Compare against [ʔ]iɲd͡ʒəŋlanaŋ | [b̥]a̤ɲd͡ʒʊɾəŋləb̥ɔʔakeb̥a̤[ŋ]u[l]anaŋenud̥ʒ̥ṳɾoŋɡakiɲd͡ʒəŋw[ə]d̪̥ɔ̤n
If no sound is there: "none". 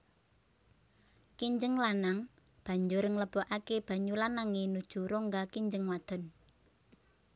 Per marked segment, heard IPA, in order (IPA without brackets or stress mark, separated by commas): k, b̥, ɲ, l, a